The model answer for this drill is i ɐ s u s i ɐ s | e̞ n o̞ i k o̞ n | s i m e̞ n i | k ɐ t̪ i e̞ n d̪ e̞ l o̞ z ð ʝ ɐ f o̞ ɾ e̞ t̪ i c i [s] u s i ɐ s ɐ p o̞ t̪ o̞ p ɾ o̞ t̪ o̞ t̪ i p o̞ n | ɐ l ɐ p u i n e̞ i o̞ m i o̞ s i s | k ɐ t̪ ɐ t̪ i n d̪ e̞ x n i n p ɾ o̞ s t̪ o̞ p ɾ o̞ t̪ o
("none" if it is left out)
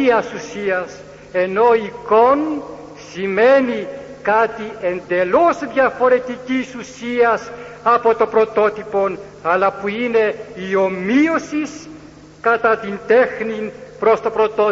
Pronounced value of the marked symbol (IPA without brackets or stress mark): s